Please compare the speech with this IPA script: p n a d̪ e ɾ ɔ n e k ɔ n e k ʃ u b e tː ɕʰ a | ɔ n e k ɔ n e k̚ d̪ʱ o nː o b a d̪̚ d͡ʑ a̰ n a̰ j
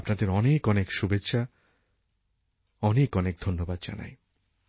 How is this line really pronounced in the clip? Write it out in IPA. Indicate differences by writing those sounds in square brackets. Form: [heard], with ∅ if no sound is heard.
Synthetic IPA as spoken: p n a d̪ e ɾ ɔ n e k ɔ n e k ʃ u b e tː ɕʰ a | ɔ n e k ɔ n e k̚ d̪ʱ o nː o b a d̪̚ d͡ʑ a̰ n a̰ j